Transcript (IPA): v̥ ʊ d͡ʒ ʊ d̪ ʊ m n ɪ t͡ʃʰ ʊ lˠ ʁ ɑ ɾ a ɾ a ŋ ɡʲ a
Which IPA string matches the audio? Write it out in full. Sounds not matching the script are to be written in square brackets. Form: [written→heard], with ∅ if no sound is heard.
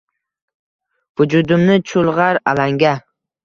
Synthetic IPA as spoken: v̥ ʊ d͡ʒ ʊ d̪ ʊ m n ɪ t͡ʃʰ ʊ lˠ ʁ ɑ ɾ a [ɾ→l] a ŋ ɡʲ a